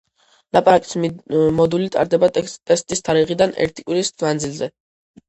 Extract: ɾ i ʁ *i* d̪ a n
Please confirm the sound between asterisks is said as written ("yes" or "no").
yes